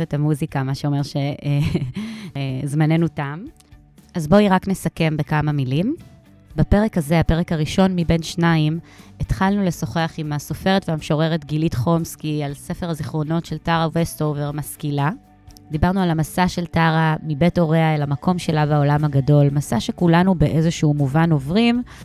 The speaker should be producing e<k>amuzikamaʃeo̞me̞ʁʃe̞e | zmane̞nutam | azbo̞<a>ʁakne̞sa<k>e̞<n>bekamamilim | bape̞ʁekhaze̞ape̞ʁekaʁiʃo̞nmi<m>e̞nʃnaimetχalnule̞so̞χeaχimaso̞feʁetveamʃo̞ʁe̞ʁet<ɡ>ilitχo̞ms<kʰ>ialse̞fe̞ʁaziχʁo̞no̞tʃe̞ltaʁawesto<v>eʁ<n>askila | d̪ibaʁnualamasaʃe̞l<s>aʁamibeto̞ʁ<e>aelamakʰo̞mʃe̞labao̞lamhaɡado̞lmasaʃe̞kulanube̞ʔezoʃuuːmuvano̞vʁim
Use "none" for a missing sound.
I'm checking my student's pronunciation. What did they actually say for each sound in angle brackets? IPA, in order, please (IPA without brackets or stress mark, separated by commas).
t, i, k, m, b, ɡ, k, v, m, t, e